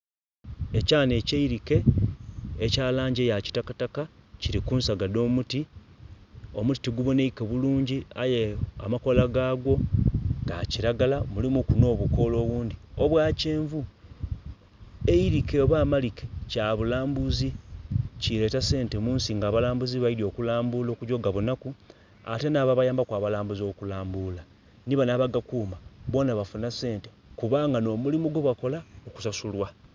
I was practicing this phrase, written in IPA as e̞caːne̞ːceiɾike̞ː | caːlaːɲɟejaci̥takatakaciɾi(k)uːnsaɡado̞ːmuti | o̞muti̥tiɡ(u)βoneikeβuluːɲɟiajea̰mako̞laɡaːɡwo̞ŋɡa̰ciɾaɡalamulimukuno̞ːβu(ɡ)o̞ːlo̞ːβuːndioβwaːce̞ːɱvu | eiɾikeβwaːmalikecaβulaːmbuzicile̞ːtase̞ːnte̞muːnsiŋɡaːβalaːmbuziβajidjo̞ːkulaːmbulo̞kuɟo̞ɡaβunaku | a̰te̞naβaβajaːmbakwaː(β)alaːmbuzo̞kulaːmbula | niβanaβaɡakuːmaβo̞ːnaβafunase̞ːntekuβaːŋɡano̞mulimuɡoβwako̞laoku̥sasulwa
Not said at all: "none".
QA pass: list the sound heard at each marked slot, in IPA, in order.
k, u, k, β

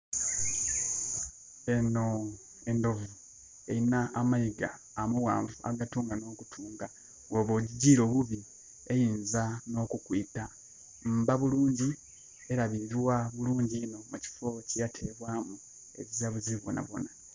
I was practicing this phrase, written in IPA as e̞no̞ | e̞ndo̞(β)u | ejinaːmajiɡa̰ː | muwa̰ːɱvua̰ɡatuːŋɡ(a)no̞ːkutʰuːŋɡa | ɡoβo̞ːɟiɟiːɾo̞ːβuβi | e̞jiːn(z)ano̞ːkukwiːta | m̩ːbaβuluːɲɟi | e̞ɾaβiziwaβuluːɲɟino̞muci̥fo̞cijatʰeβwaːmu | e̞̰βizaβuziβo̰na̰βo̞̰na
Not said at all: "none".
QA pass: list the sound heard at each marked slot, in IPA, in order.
v, a, z

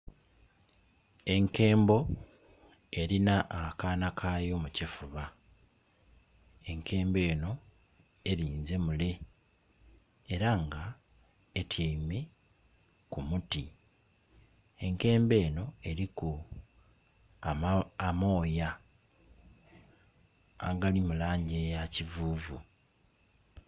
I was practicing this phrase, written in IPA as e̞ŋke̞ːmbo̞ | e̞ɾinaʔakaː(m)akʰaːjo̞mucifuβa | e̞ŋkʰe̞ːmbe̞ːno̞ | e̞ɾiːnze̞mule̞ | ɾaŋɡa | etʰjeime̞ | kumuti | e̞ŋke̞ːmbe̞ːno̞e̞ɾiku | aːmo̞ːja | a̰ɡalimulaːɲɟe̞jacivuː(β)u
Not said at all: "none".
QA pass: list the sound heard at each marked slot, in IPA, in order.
n, v

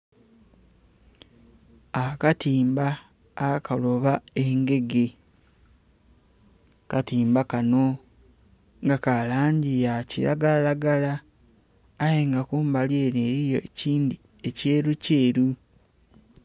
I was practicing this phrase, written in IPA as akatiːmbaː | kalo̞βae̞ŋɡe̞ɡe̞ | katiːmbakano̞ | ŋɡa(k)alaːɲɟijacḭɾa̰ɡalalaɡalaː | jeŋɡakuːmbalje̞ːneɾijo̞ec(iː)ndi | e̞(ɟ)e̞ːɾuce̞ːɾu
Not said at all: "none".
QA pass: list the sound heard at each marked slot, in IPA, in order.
k, iː, c

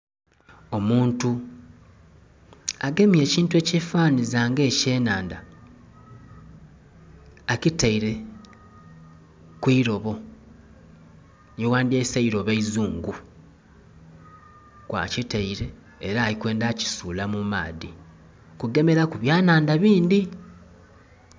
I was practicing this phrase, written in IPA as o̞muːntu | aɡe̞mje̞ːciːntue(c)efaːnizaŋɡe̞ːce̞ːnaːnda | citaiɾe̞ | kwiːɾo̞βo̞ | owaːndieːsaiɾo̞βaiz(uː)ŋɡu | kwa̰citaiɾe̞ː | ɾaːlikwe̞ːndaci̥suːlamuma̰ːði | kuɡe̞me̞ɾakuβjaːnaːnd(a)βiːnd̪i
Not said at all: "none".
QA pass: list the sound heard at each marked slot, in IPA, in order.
c, uː, a

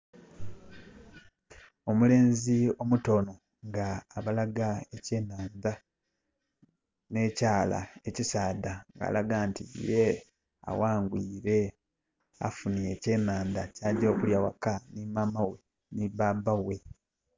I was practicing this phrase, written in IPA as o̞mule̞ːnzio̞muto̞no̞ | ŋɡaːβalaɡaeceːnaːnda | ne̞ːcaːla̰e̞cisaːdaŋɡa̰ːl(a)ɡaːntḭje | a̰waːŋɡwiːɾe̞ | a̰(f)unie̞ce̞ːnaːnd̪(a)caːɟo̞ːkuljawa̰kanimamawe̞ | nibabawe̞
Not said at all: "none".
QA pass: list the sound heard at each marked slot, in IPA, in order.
a, f, a

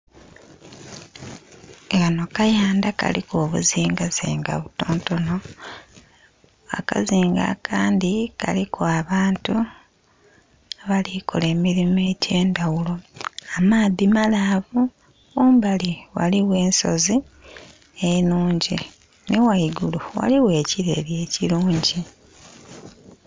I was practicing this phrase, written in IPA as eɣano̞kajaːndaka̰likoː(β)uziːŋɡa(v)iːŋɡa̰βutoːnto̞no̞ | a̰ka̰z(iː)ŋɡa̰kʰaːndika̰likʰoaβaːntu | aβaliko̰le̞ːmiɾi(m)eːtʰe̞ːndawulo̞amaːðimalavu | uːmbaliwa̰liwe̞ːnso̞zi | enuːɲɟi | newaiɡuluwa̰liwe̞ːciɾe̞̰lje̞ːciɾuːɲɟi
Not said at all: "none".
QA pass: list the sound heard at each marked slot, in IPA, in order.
β, z, iː, m

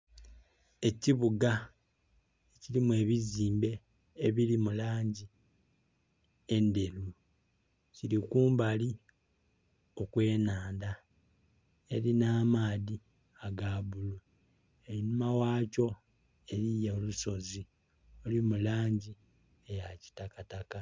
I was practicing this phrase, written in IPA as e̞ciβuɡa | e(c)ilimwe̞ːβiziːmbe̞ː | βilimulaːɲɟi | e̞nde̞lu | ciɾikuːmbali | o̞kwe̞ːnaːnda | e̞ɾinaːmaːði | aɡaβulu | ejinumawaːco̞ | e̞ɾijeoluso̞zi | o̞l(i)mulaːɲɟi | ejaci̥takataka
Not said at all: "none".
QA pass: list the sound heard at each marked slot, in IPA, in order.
c, i

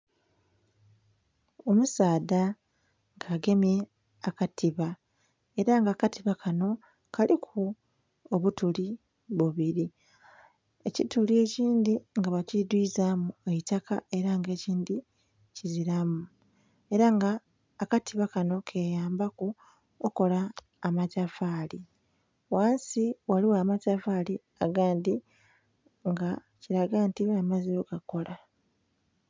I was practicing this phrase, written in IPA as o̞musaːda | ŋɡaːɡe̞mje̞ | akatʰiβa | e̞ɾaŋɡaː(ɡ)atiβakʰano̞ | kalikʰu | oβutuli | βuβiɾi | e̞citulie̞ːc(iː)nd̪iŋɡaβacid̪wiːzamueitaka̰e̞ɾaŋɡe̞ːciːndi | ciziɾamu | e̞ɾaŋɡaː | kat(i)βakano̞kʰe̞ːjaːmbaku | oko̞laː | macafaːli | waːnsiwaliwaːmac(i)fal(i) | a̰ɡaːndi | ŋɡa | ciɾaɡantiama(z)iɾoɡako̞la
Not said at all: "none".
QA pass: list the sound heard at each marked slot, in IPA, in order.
k, iː, i, a, i, z

